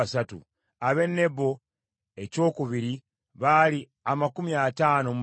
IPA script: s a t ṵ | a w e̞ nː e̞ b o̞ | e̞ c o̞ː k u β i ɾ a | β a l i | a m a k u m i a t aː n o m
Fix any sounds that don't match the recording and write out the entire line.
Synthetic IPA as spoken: s a t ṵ | a β e̞ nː e̞ b o̞ | e̞ c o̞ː k u β i ɾ i | β a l i | a m a k u m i a t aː n o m